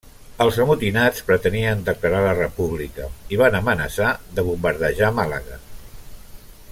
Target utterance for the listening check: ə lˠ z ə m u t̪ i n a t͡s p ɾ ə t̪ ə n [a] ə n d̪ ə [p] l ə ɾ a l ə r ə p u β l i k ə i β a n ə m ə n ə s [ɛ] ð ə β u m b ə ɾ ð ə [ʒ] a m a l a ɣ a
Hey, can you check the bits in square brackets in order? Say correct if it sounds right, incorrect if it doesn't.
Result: incorrect, incorrect, incorrect, correct

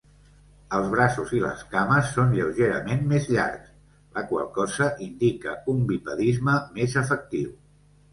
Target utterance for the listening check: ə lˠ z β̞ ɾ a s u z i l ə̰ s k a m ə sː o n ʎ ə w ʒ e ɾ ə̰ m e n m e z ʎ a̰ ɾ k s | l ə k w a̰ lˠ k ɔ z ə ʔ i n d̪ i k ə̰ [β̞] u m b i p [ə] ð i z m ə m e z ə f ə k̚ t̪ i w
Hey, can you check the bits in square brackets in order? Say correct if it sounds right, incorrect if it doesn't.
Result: incorrect, correct

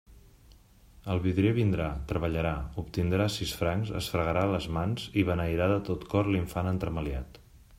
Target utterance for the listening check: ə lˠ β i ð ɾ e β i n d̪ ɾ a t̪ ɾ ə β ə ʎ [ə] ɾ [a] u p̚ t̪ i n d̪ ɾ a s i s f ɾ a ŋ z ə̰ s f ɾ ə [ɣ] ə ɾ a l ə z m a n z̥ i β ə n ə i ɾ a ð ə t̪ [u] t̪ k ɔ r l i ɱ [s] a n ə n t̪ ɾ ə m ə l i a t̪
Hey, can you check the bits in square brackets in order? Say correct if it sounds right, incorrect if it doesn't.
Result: correct, correct, correct, incorrect, incorrect

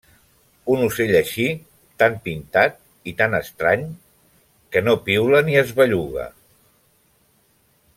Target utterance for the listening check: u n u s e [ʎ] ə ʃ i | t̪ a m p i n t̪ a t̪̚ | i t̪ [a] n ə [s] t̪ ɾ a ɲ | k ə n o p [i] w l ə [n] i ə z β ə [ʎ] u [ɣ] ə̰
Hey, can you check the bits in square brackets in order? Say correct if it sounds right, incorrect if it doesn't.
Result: correct, correct, correct, correct, correct, correct, correct

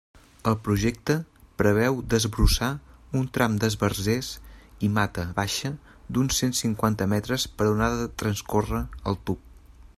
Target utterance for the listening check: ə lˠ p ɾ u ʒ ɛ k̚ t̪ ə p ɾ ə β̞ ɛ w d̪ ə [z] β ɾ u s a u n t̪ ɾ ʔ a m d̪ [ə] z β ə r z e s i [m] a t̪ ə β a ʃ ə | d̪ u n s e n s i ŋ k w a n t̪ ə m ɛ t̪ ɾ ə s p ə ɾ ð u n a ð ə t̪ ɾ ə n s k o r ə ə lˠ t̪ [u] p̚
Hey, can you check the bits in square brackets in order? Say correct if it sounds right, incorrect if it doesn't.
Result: correct, correct, correct, correct

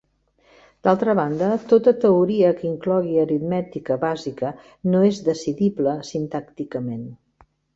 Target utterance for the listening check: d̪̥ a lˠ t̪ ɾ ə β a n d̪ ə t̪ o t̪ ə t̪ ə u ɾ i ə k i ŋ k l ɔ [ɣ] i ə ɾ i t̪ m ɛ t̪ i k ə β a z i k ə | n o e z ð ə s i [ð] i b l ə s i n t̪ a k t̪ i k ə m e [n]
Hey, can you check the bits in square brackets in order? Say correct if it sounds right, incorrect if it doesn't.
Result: correct, correct, correct

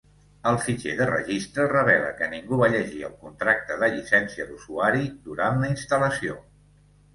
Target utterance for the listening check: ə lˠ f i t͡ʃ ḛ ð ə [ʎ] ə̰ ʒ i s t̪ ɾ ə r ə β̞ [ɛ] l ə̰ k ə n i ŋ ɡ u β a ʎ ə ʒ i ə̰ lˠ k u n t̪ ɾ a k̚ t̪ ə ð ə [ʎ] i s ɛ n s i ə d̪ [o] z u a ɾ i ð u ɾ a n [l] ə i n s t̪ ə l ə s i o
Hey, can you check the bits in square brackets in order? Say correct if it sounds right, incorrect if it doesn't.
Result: incorrect, correct, correct, incorrect, correct

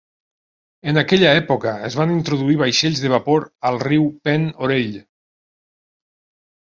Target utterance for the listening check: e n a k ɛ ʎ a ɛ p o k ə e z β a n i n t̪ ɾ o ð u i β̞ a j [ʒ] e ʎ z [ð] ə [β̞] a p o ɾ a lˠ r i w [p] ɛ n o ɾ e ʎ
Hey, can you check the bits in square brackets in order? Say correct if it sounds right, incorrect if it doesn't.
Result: incorrect, correct, correct, correct

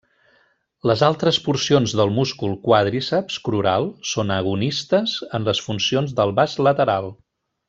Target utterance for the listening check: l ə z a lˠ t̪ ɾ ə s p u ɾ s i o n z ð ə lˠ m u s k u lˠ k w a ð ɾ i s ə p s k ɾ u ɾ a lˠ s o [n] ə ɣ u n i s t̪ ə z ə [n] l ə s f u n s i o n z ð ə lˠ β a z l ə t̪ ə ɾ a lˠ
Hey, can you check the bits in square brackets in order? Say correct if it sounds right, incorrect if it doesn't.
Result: correct, correct

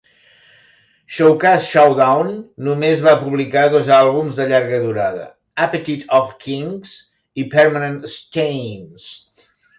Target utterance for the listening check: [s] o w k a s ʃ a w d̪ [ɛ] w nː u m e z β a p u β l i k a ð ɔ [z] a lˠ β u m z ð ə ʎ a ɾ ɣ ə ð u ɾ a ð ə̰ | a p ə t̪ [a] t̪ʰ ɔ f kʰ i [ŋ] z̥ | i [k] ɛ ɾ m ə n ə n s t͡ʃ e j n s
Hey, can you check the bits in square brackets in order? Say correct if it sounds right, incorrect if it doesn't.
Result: incorrect, incorrect, correct, incorrect, correct, incorrect

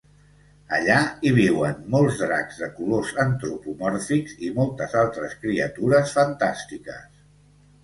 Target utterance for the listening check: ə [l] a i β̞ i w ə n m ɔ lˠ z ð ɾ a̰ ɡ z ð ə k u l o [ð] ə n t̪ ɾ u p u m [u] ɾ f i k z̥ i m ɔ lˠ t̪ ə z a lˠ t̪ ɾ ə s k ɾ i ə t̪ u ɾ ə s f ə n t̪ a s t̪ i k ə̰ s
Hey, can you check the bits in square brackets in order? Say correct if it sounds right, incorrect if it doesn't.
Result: incorrect, incorrect, incorrect

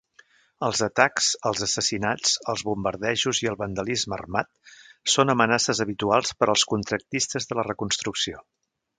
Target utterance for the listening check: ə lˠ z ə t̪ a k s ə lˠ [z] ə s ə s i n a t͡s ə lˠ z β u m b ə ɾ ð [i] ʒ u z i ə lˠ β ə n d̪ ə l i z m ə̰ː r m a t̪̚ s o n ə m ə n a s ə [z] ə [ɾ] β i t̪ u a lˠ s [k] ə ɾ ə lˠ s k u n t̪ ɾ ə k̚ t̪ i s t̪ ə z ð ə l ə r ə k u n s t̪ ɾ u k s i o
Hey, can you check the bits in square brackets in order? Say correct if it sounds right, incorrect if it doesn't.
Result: correct, incorrect, correct, incorrect, incorrect

